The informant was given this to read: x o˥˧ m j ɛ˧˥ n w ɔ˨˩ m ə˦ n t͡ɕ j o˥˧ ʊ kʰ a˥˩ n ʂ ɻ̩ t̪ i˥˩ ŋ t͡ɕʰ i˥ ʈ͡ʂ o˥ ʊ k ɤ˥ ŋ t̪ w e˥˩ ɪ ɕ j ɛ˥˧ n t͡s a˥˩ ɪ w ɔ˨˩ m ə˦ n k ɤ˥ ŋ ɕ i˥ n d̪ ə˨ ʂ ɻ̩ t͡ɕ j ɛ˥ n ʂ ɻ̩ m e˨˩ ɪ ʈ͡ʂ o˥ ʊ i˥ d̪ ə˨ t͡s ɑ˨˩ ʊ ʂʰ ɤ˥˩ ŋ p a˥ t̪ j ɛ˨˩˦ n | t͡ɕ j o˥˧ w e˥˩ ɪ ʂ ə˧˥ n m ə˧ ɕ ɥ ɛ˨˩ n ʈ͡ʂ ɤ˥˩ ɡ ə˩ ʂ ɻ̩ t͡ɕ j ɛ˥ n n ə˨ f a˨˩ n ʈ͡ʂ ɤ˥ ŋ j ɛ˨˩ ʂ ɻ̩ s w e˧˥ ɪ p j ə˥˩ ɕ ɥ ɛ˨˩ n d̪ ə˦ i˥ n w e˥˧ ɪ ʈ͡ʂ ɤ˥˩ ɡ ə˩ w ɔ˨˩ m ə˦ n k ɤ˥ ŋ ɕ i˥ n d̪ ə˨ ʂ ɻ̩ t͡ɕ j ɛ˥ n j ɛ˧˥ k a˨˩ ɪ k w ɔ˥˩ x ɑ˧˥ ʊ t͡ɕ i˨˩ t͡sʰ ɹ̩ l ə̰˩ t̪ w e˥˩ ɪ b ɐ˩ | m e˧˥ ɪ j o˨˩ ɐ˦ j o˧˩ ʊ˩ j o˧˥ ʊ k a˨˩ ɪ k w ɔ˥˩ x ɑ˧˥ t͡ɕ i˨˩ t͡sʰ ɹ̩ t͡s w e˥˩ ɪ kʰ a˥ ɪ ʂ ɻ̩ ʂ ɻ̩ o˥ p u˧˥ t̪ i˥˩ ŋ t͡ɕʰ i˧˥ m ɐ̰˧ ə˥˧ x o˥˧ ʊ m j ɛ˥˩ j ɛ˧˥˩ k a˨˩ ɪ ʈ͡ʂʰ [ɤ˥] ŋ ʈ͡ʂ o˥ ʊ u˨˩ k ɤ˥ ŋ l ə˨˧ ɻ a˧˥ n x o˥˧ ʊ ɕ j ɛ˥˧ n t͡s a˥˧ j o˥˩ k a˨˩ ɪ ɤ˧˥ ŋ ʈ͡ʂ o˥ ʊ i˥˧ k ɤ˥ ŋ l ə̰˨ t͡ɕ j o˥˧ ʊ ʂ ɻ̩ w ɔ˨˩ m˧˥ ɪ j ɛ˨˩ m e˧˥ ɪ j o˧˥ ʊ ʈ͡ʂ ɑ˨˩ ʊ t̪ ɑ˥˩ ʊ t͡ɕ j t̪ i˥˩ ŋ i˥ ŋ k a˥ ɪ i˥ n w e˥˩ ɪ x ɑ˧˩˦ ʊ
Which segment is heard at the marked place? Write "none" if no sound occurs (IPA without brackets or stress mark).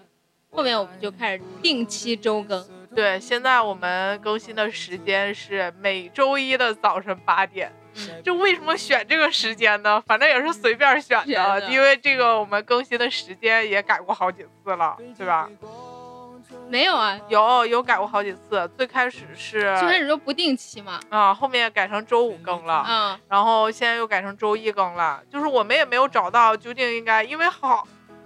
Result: ɤ˧˥